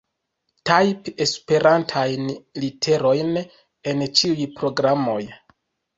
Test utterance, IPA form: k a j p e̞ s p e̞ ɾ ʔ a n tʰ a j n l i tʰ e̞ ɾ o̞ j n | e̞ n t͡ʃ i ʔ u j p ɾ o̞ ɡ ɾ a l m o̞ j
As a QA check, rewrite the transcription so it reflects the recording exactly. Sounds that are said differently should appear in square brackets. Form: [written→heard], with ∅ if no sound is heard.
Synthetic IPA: [k→t] a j p e̞ s p e̞ ɾ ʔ a n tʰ a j n l i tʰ e̞ ɾ o̞ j n | e̞ n t͡ʃ i [ʔ→∅] u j p ɾ o̞ ɡ ɾ a [l→∅] m o̞ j